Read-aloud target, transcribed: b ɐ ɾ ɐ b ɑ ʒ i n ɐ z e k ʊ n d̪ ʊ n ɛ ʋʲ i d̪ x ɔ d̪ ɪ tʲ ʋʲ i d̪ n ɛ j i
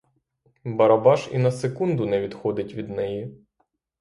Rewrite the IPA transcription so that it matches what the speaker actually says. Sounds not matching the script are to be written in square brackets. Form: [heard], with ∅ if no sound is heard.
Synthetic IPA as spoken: b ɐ ɾ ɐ b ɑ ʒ i n ɐ [s] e k [u] n d̪ ʊ n ɛ ʋʲ i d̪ x ɔ d̪ ɪ tʲ ʋʲ i d̪ n ɛ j i